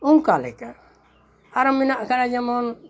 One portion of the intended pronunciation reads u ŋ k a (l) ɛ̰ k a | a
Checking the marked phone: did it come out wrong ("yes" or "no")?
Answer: no